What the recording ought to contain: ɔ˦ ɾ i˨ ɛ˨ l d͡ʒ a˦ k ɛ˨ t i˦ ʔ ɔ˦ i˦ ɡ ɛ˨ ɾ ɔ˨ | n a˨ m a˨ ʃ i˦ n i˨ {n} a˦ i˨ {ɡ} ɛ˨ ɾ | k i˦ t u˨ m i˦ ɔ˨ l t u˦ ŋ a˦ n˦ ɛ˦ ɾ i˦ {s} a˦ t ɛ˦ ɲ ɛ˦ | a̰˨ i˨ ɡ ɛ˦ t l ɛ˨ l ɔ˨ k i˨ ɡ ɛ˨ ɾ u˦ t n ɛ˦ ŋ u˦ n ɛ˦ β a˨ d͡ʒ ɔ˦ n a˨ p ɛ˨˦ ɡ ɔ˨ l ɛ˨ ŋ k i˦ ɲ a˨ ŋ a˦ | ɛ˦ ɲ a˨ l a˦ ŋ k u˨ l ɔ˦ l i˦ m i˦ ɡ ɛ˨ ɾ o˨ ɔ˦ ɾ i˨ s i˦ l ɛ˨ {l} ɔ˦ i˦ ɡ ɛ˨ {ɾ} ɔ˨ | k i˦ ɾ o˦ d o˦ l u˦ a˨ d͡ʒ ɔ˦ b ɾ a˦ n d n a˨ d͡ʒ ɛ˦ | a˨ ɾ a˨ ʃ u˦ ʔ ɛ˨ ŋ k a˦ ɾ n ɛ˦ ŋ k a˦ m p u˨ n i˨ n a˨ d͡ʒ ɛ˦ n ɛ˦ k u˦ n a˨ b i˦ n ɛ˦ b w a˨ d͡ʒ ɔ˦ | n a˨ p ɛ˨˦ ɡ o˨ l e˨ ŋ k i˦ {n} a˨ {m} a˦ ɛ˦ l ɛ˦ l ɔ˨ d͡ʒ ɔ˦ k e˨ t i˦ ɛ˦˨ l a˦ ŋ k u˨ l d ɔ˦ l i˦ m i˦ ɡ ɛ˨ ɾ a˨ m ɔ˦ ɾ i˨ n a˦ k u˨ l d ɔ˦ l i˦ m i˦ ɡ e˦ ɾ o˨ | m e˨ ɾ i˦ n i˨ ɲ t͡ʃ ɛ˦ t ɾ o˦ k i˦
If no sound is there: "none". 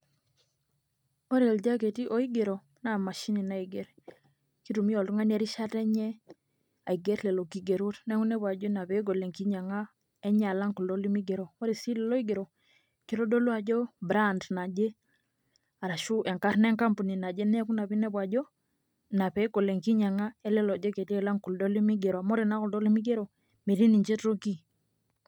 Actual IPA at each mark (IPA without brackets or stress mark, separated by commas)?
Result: n, ɡ, ʃ, l, ɾ, ɲ, ŋ